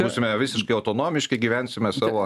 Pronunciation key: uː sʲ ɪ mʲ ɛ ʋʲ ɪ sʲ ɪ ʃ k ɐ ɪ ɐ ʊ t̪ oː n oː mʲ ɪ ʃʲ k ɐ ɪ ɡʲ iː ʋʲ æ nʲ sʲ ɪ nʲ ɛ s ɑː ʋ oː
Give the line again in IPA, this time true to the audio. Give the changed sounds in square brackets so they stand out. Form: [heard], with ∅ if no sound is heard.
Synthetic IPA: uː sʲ ɪ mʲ ɛ ʋʲ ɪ sʲ ɪ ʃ k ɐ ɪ ɐ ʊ t̪ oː n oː mʲ ɪ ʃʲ k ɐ ɪ ɡʲ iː ʋʲ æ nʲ sʲ ɪ [mʲ] ɛ s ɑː ʋ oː